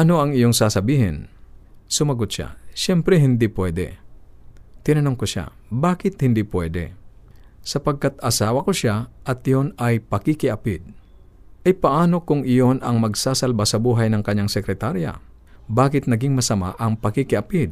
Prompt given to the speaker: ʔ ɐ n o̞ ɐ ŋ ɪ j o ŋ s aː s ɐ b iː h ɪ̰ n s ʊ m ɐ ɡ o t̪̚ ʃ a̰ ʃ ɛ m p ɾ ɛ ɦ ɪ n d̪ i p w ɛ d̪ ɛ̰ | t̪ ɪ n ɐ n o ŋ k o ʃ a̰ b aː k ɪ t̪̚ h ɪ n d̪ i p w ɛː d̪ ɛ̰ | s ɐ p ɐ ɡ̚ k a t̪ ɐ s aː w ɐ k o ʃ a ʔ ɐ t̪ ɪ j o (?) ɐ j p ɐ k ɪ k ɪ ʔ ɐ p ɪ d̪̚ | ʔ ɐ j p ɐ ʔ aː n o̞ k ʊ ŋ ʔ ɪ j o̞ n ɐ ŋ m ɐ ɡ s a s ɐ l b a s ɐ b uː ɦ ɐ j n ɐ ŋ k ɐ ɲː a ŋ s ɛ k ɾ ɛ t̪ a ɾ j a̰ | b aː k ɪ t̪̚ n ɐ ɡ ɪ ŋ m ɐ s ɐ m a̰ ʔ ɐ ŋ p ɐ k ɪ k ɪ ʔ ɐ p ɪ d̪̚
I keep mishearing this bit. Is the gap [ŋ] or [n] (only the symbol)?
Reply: n